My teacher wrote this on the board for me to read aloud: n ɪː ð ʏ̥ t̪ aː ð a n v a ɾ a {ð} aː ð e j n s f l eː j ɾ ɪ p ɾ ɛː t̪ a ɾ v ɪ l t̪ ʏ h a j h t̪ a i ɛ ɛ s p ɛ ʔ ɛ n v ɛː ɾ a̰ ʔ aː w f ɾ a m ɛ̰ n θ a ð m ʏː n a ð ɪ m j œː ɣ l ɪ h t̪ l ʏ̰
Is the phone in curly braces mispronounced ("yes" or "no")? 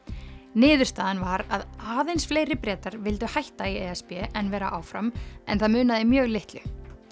no